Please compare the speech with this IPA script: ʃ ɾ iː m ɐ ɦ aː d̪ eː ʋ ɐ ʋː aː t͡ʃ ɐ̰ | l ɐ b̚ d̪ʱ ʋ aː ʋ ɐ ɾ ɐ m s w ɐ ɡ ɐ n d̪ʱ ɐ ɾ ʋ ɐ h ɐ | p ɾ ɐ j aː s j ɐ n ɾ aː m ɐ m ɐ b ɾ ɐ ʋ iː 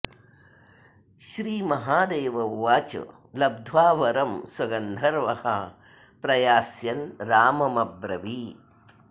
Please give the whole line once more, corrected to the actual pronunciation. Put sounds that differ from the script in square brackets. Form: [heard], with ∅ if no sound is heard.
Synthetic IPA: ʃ ɾ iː m ɐ ɦ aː d̪ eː ʋ ɐ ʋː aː t͡ʃ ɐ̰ | l ɐ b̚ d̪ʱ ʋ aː ʋ ɐ ɾ ɐ m s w ɐ ɡ ɐ n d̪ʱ ɐ ɾ ʋ ɐ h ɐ | p ɾ ɐ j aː s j ɐ n ɾ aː m ɐ m ɐ b ɾ ɐ ʋ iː

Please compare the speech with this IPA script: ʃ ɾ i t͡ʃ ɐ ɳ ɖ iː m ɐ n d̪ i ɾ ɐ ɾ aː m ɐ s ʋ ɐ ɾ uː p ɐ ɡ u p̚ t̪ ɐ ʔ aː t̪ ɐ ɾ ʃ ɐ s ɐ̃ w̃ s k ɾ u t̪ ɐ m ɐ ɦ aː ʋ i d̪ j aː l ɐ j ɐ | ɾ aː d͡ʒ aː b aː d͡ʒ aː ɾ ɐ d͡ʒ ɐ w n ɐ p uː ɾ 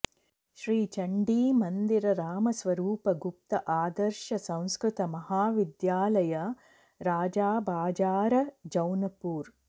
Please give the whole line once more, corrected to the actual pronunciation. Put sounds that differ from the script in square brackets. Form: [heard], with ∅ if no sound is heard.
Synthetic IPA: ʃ ɾ [iː] t͡ʃ ɐ ɳ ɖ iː m ɐ n d̪ i ɾ ɐ ɾ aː m ɐ s ʋ ɐ ɾ uː p ɐ ɡ u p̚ t̪ ɐ ʔ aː [d̪] ɐ ɾ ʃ ɐ s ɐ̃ w̃ s k ɾ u t̪ ɐ m ɐ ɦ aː ʋ i d̪ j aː l ɐ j ɐ | ɾ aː d͡ʒ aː b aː d͡ʒ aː ɾ ɐ d͡ʒ ɐ w n ɐ p uː ɾ

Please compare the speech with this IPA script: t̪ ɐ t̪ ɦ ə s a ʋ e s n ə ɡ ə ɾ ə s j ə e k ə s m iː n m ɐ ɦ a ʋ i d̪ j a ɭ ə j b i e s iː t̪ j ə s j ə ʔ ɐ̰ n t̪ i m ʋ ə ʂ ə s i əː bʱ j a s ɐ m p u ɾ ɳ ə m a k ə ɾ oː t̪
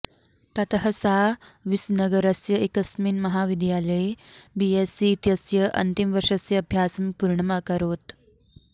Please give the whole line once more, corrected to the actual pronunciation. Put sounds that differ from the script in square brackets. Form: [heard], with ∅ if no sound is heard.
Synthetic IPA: t̪ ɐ t̪ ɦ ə s a ʋ [i] s n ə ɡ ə ɾ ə s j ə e k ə s m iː n m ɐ ɦ a ʋ i d̪ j a [l] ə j b i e s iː t̪ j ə s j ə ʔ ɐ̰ n t̪ i m ʋ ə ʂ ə s [j] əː bʱ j a s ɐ m p u ɾ ɳ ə m a k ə ɾ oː t̪

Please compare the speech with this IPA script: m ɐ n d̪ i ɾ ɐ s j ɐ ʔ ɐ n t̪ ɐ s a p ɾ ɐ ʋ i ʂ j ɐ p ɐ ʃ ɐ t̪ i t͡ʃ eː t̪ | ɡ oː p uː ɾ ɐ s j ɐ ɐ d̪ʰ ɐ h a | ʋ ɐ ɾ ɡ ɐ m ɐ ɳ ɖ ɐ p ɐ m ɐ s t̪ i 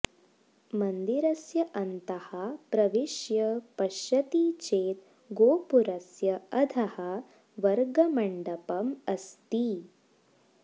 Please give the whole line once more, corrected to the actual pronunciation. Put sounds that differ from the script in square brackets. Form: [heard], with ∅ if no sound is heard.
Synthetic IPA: m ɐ n d̪ i ɾ ɐ s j ɐ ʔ ɐ n t̪ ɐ [h] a p ɾ ɐ ʋ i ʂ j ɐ p ɐ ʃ ɐ t̪ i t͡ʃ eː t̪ | ɡ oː p [u] ɾ ɐ s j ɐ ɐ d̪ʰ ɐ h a | ʋ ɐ ɾ ɡ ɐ m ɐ ɳ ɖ ɐ p ɐ m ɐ s t̪ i

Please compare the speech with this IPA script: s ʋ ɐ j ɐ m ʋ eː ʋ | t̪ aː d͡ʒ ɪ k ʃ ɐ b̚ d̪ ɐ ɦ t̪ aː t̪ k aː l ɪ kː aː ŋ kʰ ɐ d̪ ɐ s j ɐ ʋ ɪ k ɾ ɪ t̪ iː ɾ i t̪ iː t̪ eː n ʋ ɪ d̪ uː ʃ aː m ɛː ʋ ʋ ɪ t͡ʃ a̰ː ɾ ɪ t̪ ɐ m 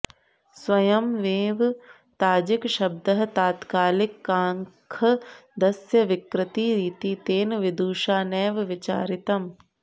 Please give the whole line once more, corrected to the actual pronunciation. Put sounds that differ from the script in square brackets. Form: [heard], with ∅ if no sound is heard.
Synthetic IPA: s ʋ ɐ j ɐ m ʋ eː ʋ | t̪ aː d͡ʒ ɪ k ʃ ɐ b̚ d̪ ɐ ɦ t̪ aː t̪ k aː l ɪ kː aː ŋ kʰ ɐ d̪ ɐ s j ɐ ʋ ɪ k ɾ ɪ t̪ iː ɾ [iː] t̪ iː t̪ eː n ʋ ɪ d̪ uː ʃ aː [n] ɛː ʋ ʋ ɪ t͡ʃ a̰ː ɾ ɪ t̪ ɐ m

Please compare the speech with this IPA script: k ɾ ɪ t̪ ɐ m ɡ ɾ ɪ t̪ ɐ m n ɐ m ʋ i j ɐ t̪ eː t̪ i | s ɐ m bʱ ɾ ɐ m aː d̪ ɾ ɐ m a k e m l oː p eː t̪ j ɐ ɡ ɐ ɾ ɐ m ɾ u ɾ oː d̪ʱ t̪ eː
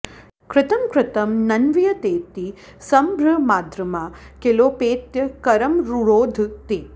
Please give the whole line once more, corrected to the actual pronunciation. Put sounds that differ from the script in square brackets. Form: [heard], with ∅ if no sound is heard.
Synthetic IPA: k ɾ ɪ t̪ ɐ m [k] ɾ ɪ t̪ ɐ m n ɐ [n] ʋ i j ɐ t̪ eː t̪ i | s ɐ m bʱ ɾ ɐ m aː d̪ ɾ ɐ m a k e [∅] l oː p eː t̪ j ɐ [k] ɐ ɾ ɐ m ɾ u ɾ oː d̪ʱ t̪ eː

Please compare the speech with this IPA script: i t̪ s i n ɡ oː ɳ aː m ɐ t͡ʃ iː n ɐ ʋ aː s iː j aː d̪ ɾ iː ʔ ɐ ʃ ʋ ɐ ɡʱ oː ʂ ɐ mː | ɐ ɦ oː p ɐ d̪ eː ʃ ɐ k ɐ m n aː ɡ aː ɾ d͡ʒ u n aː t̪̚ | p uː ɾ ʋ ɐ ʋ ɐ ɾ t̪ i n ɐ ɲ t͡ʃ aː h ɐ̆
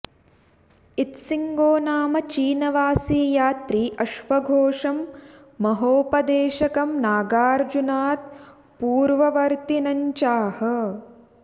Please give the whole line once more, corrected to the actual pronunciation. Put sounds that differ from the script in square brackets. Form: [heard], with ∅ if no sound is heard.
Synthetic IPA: i t̪ s i [ŋ] ɡ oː [n] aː m ɐ t͡ʃ iː n ɐ ʋ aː s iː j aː [t̪] ɾ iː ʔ ɐ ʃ ʋ ɐ ɡʱ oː ʂ ɐ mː | ɐ ɦ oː p ɐ d̪ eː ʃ ɐ k ɐ m n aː ɡ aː ɾ d͡ʒ u n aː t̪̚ | p uː ɾ ʋ ɐ ʋ ɐ ɾ t̪ i n ɐ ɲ t͡ʃ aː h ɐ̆

